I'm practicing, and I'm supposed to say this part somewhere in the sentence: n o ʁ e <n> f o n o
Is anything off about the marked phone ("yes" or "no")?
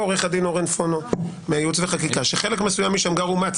no